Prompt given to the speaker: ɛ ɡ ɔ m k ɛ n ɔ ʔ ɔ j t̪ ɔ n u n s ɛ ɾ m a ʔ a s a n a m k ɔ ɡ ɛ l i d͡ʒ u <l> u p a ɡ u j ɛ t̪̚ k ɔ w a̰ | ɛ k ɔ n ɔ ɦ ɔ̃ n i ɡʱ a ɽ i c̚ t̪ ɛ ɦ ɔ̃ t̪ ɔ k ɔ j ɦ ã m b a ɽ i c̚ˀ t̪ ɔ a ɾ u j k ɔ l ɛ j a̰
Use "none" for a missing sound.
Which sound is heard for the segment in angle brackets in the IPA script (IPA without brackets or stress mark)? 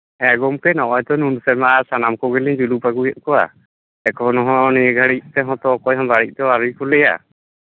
l